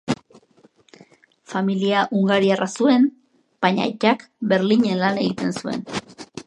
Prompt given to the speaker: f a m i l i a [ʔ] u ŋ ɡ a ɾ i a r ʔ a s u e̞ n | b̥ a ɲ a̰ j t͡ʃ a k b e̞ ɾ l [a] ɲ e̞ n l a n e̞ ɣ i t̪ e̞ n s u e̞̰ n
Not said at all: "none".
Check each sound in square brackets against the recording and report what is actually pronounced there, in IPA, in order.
ʔ, i

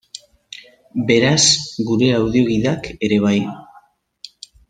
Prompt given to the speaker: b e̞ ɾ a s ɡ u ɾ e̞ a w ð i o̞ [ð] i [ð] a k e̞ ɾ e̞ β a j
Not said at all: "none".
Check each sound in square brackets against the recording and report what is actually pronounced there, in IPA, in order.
ɣ, ð

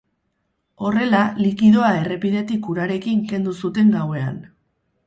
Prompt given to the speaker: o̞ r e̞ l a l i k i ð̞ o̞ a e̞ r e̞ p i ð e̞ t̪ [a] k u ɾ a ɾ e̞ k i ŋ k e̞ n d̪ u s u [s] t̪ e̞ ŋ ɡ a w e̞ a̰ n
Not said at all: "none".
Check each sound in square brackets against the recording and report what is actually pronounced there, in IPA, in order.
i, none

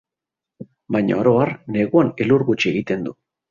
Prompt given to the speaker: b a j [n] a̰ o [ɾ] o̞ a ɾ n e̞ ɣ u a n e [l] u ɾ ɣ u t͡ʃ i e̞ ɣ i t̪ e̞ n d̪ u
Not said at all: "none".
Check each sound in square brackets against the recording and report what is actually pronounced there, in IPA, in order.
ɲ, ɾ, l

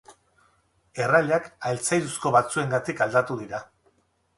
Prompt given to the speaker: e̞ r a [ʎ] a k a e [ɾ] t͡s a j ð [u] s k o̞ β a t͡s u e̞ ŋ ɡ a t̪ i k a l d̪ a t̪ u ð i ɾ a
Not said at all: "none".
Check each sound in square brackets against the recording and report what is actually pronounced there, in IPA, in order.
ʎ, l, u

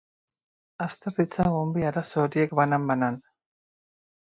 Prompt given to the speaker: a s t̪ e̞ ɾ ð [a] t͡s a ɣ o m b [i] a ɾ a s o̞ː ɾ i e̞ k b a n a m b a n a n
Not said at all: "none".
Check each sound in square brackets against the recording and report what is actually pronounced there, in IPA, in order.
i, i

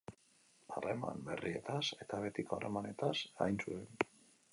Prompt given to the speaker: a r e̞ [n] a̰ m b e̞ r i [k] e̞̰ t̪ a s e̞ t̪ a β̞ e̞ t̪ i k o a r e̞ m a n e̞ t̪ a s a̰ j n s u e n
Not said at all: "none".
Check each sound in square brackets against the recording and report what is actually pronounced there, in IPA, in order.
m, none

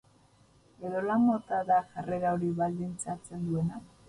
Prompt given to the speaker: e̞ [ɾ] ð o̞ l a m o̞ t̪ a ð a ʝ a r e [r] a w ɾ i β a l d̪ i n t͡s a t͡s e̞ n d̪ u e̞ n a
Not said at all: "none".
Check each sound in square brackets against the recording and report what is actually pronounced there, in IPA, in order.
none, ɾ

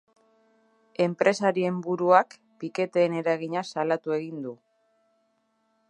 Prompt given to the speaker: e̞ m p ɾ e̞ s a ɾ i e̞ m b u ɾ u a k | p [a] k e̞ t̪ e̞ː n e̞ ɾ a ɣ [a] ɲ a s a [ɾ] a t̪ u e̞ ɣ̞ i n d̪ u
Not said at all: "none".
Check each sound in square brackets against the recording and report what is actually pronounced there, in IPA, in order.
i, i, l

